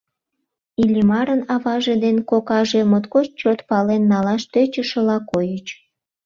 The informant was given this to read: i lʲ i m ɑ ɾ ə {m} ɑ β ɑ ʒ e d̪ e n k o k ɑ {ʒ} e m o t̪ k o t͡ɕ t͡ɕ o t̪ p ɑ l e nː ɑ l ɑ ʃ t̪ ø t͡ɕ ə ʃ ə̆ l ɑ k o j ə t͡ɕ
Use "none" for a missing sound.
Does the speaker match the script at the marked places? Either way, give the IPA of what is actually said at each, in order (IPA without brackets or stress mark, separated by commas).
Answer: n, ʒ